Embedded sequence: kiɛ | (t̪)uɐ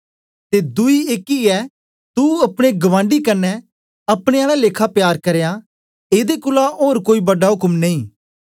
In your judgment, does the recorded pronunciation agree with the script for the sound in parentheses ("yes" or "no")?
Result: yes